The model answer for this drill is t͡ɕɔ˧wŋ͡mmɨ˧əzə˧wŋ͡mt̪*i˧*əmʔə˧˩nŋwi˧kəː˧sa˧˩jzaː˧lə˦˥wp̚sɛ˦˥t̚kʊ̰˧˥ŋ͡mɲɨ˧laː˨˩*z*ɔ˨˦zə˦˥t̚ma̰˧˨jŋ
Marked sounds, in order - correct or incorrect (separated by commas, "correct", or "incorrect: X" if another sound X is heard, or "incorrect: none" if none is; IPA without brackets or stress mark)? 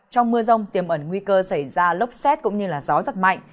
incorrect: i˨˩, correct